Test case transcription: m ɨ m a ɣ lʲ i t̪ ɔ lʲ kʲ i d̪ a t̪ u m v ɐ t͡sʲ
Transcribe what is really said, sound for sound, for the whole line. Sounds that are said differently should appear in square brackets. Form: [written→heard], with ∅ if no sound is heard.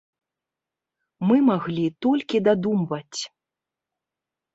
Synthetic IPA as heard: m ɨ m a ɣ lʲ i t̪ ɔ lʲ kʲ i d̪ a [t̪→d̪] u m v ɐ t͡sʲ

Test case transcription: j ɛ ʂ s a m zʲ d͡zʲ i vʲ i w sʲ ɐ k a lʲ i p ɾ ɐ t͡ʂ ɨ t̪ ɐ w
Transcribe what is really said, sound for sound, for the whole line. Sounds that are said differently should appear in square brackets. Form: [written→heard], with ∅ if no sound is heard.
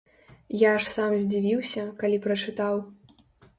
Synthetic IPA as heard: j [ɛ→a] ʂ s a m zʲ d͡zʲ i vʲ i w sʲ ɐ k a lʲ i p ɾ ɐ t͡ʂ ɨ t̪ [ɐ→a] w

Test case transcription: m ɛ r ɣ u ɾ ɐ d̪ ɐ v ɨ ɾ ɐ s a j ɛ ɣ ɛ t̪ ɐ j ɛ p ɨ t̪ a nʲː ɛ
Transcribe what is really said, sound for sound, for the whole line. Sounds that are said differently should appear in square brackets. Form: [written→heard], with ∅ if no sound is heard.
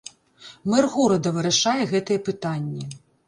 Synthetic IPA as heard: m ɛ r ɣ u ɾ ɐ d̪ ɐ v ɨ ɾ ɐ [s→ʂ] a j ɛ ɣ ɛ t̪ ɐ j ɛ p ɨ t̪ a nʲː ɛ

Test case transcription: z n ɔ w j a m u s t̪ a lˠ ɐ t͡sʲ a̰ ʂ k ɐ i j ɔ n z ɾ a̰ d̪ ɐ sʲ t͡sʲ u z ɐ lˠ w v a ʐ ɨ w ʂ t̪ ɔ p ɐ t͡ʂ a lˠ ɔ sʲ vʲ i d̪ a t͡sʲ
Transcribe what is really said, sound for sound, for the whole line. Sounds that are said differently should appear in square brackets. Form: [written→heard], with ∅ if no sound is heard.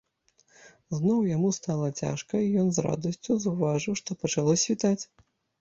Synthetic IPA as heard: z n ɔ w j a m u s t̪ a lˠ ɐ t͡sʲ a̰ ʂ k ɐ i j ɔ n z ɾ a̰ d̪ ɐ sʲ t͡sʲ u z ɐ [lˠ→∅] w v a ʐ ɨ w ʂ t̪ ɔ p ɐ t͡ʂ a lˠ ɔ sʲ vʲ i [d̪→t̪] a t͡sʲ

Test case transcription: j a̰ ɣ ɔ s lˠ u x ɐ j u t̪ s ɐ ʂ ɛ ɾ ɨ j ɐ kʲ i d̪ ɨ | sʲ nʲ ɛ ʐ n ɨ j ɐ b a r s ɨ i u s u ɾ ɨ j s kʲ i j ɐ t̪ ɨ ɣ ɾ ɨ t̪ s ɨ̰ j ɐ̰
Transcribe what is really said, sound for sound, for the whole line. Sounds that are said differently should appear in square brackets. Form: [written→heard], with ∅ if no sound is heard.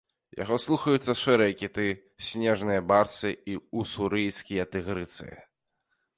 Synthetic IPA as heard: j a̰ ɣ ɔ s lˠ u x ɐ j u t̪ [s→sː] ɐ ʂ ɛ ɾ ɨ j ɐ kʲ i [d̪→t̪] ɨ | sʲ nʲ ɛ ʐ n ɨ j ɐ b a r s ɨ i u s u ɾ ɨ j s kʲ i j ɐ t̪ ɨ ɣ ɾ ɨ t̪ s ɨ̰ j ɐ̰

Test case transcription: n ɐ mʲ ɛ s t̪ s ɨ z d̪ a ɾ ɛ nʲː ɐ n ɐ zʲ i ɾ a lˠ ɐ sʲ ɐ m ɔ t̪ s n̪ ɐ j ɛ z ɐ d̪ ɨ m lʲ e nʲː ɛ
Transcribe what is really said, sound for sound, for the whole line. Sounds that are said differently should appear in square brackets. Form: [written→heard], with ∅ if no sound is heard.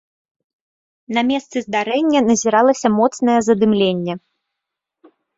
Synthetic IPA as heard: n ɐ mʲ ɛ s t̪ s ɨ z d̪ a ɾ ɛ nʲː ɐ n ɐ zʲ i ɾ a lˠ ɐ sʲ ɐ m ɔ t̪ s n̪ ɐ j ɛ z ɐ d̪ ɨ m lʲ e nʲː ɛ

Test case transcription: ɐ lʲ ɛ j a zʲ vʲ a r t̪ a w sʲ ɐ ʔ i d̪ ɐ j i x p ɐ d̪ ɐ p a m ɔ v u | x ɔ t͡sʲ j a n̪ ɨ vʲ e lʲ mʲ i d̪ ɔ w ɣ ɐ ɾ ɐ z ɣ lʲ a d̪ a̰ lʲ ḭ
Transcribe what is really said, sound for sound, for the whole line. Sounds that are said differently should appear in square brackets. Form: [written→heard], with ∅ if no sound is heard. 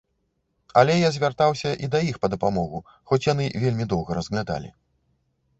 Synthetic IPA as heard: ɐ lʲ ɛ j a zʲ vʲ a r t̪ a w sʲ ɐ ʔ i d̪ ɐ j i x p ɐ d̪ ɐ p a m ɔ [v→ɣ] u | x ɔ t͡sʲ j a n̪ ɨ vʲ e lʲ mʲ i d̪ ɔ w ɣ ɐ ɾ ɐ z ɣ lʲ a d̪ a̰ lʲ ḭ

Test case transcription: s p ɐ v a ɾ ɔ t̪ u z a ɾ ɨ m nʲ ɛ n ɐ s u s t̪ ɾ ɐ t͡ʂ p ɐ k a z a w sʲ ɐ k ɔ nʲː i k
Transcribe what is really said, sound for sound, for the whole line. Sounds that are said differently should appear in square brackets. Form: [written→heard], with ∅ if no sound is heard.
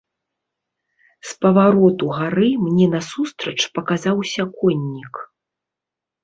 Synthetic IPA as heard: s p ɐ v a ɾ ɔ t̪ u [z→ɣ] a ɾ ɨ m nʲ ɛ n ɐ s u s t̪ ɾ ɐ t͡ʂ p ɐ k a z a w sʲ ɐ k ɔ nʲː i k

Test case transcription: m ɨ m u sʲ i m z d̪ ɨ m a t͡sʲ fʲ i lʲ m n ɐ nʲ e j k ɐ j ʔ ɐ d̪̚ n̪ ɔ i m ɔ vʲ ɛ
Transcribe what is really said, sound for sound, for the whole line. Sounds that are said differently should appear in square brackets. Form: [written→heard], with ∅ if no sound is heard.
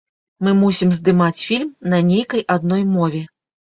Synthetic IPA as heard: m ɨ m u sʲ i m z d̪ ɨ m a t͡sʲ fʲ i lʲ m n ɐ nʲ e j k ɐ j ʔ [ɐ→a] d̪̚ n̪ ɔ [i→j] m ɔ vʲ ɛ

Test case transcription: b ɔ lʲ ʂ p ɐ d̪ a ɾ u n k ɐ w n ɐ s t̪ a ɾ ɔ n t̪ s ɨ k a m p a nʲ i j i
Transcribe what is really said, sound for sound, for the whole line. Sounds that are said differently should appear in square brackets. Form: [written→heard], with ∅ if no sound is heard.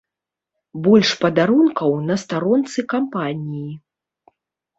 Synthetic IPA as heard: b ɔ lʲ ʂ p ɐ d̪ a ɾ u n k ɐ w n ɐ s t̪ a ɾ ɔ n t̪ s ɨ k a m p a nʲ i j i

